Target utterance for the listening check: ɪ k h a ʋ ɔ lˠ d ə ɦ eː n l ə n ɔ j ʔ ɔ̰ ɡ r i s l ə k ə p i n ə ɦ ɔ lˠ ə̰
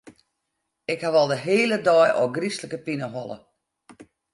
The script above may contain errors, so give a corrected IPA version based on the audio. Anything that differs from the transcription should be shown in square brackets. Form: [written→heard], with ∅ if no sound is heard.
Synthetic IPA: ɪ k h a ʋ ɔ lˠ d ə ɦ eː [n→∅] l ə [n→d] ɔ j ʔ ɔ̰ ɡ r i s l ə k ə p i n ə ɦ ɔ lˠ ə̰